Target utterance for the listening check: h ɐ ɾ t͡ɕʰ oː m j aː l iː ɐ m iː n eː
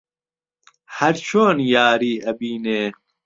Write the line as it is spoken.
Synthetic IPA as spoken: h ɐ ɾ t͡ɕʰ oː n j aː ɾ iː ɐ b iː n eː